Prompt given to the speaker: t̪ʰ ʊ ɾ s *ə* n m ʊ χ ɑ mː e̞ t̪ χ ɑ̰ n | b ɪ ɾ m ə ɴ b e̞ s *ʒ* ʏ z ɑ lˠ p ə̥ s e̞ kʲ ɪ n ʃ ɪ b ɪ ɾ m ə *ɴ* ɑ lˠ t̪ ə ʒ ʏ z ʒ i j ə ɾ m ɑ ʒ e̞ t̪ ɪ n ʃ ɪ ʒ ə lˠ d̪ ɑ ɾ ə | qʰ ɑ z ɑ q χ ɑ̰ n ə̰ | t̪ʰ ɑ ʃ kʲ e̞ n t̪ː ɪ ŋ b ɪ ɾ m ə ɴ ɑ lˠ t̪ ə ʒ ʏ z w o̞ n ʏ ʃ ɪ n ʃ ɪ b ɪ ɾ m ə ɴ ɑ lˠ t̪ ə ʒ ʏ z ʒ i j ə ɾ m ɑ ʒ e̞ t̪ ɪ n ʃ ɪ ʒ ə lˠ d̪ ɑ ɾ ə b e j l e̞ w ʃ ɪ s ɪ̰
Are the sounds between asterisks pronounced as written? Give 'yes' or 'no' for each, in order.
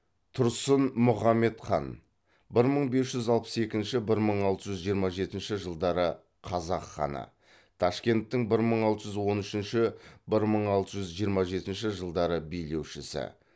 yes, yes, yes

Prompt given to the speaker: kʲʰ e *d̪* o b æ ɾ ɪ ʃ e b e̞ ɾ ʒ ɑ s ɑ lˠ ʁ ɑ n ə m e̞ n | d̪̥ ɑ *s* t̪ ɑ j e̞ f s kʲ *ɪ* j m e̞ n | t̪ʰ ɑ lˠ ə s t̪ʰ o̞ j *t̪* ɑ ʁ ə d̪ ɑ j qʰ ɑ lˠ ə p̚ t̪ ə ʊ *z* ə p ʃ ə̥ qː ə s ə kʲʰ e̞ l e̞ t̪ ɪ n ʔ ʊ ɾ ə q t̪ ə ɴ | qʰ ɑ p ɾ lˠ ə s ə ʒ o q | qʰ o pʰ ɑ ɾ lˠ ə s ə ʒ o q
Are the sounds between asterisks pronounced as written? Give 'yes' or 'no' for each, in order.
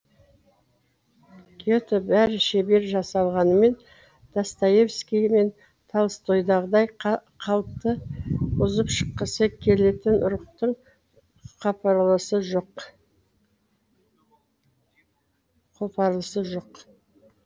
no, yes, no, no, yes

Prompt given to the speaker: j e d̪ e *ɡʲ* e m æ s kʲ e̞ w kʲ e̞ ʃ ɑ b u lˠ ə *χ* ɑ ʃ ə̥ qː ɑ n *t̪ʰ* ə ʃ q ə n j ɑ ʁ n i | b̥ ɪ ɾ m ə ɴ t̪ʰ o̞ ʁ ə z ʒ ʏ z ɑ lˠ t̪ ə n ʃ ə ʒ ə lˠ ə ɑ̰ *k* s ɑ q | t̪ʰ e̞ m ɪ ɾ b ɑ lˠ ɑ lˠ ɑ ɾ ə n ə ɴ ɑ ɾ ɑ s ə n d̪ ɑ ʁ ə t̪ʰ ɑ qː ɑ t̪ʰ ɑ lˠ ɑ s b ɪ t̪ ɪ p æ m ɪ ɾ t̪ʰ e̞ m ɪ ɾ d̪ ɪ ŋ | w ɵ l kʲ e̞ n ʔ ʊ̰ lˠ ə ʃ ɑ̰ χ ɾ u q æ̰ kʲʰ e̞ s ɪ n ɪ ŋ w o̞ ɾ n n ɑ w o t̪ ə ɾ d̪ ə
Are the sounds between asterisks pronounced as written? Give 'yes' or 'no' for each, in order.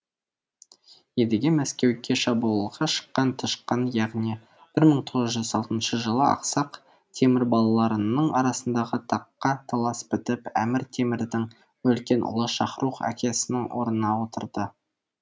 yes, no, yes, no

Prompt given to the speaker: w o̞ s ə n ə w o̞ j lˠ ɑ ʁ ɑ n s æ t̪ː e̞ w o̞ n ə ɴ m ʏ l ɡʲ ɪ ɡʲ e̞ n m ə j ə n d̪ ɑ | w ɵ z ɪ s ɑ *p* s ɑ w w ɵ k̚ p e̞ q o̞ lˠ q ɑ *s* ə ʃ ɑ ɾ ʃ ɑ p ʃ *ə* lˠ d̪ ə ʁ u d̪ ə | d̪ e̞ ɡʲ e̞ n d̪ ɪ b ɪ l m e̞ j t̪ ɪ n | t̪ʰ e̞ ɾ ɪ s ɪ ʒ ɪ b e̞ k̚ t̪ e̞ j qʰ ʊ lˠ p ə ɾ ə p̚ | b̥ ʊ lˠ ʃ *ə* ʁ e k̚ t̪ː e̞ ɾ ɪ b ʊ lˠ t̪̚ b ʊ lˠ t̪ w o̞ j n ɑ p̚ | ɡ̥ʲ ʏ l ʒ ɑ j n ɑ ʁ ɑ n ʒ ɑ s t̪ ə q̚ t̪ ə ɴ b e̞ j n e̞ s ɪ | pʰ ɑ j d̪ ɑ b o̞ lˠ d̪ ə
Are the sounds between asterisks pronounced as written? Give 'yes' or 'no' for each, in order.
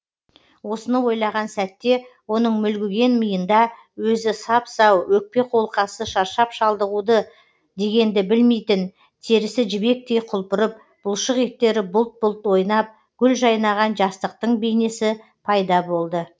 yes, yes, no, yes

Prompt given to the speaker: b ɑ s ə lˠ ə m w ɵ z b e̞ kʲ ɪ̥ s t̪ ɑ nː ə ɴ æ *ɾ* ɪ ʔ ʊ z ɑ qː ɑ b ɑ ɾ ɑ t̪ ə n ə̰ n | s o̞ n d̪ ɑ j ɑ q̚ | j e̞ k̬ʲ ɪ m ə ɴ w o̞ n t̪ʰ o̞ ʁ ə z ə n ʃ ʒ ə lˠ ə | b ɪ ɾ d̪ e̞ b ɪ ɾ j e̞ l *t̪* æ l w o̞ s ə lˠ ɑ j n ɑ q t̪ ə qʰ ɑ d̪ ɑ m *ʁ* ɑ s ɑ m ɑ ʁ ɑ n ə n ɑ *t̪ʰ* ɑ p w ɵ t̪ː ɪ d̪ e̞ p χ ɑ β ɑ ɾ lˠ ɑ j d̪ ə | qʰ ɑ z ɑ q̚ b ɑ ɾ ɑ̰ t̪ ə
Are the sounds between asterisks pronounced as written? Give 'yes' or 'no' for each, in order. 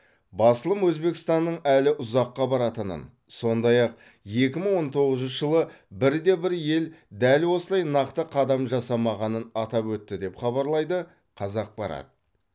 no, no, no, no

